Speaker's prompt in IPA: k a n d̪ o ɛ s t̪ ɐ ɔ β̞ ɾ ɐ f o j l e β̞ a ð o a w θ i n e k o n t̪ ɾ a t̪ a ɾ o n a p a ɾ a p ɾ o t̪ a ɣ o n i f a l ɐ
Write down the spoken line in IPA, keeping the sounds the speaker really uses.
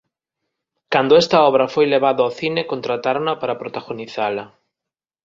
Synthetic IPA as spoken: k a n d̪ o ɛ s t̪ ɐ ɔ β̞ ɾ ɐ f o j l e β̞ a ð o a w θ i n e k o n t̪ ɾ a t̪ a ɾ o n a p a ɾ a p ɾ o t̪ a ɣ o n i θ a l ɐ